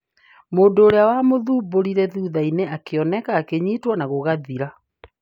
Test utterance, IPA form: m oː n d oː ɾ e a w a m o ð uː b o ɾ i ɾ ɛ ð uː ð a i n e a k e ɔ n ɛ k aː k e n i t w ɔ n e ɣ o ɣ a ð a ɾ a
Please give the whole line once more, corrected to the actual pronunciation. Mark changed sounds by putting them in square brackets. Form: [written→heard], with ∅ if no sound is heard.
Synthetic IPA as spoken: m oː n d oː ɾ e a w a m o ð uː b o ɾ i ɾ ɛ ð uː ð a i n e a k e ɔ n ɛ k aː k e [n→ɲ] i t w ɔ n [e→a] ɣ o ɣ a ð [a→i] ɾ a